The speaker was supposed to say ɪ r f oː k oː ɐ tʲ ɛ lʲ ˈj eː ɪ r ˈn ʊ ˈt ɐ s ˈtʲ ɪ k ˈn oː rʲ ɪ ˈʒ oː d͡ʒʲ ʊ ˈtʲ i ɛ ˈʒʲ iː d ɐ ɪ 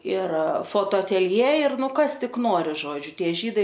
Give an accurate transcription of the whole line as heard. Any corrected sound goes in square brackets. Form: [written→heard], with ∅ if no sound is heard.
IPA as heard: ɪ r f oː [k→t] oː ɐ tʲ ɛ lʲ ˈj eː ɪ r ˈn ʊ [ˈt→ˈk] ɐ s ˈtʲ ɪ k ˈn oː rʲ ɪ ˈʒ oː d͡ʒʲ ʊ ˈtʲ i ɛ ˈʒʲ iː d ɐ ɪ

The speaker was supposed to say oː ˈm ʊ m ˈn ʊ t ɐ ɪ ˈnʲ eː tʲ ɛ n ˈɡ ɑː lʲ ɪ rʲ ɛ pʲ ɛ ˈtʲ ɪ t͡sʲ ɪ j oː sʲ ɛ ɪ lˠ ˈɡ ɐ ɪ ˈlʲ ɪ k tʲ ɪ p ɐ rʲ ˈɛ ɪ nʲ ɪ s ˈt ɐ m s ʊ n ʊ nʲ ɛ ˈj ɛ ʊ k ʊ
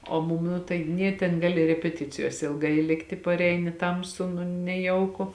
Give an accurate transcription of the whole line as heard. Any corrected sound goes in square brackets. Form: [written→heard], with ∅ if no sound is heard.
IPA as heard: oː ˈm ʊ m ˈn ʊ t ɐ ɪ ˈnʲ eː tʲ ɛ n ˈɡ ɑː lʲ ɪ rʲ ɛ pʲ ɛ ˈtʲ ɪ t͡sʲ ɪ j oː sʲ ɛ ɪ lˠ ˈɡ ɐ ɪ ˈlʲ ɪ k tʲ ɪ p ɐ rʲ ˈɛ ɪ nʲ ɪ [s→∅] ˈt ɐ m s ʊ n ʊ nʲ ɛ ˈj ɛ ʊ k ʊ

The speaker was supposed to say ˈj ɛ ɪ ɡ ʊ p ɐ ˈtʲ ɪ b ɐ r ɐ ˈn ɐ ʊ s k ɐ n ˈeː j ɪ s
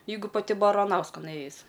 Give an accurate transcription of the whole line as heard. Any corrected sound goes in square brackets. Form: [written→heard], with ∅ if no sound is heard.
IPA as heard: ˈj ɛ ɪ ɡ ʊ p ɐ ˈtʲ ɪ b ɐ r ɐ ˈn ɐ ʊ s k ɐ n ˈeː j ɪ s

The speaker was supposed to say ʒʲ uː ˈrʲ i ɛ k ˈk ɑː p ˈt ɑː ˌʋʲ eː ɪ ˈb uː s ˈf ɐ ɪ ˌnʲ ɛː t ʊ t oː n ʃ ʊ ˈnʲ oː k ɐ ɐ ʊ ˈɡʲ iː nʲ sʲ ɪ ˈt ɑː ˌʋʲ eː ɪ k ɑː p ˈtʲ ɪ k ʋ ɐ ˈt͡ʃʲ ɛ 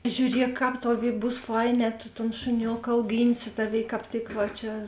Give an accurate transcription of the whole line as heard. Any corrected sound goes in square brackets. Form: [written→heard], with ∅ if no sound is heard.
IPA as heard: ʒʲ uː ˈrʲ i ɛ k ˈk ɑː p ˈt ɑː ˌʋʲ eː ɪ ˈb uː s ˈf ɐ ɪ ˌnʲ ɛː t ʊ t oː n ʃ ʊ ˈnʲ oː k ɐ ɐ ʊ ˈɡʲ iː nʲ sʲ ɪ ˈt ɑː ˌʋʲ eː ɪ k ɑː p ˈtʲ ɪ k ʋ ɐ ˈt͡ʃʲ ɛ

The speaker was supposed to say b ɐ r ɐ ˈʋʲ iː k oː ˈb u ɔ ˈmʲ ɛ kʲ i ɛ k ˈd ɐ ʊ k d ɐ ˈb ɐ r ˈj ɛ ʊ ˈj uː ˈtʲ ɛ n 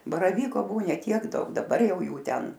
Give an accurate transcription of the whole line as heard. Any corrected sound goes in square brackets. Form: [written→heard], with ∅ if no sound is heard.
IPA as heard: b ɐ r ɐ ˈʋʲ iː k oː ˈb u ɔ [ˈmʲ→ˈnʲ] ɛ [kʲ→tʲ] i ɛ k ˈd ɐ ʊ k d ɐ ˈb ɐ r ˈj ɛ ʊ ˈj uː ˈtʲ ɛ n

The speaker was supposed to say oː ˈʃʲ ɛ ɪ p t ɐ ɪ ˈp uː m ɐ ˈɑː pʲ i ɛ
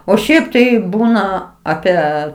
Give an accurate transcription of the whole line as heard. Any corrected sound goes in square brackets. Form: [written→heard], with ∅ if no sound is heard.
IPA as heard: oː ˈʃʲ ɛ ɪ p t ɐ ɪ [ˈp→ˈb] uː [m→n] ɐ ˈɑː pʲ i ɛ

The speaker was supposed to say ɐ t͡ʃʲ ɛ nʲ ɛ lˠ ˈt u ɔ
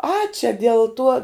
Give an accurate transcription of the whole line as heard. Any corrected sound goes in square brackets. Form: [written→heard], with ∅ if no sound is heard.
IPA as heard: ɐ t͡ʃʲ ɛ [nʲ→dʲ] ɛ lˠ ˈt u ɔ

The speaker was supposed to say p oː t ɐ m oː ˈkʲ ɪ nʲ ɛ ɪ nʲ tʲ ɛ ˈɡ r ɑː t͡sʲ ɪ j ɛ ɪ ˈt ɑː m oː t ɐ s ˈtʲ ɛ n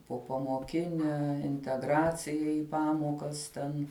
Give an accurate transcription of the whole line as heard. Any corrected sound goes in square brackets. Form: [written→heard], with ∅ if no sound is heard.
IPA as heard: p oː [t→p] ɐ m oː ˈkʲ ɪ nʲ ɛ ɪ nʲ tʲ ɛ ˈɡ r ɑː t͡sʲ ɪ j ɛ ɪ [ˈt→ˈp] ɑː m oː [t→k] ɐ s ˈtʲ ɛ n

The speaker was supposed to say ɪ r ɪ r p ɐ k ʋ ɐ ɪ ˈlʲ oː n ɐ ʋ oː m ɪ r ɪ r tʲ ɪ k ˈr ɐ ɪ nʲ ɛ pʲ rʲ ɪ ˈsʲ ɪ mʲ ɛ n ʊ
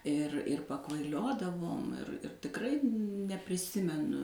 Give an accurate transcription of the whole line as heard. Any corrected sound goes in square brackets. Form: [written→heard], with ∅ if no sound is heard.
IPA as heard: ɪ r ɪ r p ɐ k ʋ ɐ ɪ ˈlʲ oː [n→d] ɐ ʋ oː m ɪ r ɪ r tʲ ɪ k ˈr ɐ ɪ nʲ ɛ pʲ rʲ ɪ ˈsʲ ɪ mʲ ɛ n ʊ

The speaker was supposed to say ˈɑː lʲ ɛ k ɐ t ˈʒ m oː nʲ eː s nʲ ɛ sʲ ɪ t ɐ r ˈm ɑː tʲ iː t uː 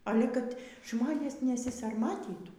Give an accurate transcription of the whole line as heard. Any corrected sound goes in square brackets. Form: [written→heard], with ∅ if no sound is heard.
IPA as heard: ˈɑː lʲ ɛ k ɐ t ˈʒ m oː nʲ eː s nʲ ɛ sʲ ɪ [t→s] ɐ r ˈm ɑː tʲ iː t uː

